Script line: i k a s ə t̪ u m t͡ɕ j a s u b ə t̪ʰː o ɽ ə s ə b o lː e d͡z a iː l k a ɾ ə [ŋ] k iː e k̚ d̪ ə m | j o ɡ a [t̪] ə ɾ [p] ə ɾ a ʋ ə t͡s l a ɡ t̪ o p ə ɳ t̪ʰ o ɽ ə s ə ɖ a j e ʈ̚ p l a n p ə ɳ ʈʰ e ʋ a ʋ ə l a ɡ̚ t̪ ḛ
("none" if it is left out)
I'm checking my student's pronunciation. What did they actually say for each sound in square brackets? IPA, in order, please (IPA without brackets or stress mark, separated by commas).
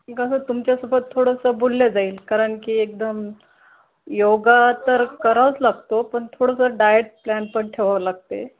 ɳ, t̪, k